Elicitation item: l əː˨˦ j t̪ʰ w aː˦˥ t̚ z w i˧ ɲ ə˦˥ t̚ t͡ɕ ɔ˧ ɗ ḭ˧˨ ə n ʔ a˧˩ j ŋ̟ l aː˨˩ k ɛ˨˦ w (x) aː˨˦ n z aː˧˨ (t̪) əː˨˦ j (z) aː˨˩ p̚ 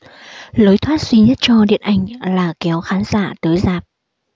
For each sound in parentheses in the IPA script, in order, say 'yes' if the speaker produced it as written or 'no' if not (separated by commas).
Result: yes, yes, yes